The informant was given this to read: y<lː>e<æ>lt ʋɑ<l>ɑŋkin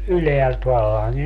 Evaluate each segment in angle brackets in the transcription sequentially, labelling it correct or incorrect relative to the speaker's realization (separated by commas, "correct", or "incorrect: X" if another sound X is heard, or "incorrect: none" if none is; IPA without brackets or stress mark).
incorrect: l, correct, incorrect: lː